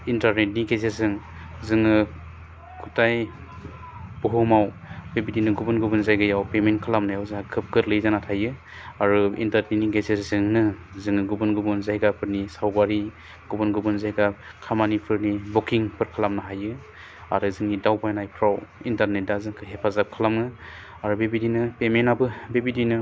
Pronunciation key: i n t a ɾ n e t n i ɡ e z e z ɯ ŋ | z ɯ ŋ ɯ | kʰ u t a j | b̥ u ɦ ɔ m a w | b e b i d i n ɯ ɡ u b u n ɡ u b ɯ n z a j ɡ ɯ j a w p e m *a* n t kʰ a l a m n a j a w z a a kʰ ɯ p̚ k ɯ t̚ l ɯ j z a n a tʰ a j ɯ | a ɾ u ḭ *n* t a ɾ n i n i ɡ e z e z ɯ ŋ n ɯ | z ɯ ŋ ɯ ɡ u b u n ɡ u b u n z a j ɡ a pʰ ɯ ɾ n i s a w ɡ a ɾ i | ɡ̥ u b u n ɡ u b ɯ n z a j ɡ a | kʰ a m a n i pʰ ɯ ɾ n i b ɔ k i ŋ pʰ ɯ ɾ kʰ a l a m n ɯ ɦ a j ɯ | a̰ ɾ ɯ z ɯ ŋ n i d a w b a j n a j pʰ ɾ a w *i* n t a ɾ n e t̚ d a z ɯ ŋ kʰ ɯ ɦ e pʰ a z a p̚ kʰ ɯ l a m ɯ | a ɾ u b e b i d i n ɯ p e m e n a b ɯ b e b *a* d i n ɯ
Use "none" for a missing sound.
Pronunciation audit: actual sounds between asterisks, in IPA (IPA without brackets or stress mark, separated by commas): e, n, i, i